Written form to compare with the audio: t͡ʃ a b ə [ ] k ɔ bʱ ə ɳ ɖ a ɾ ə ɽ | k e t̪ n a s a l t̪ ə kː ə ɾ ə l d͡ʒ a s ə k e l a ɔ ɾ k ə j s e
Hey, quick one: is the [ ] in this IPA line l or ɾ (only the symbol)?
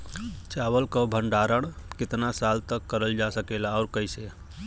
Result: l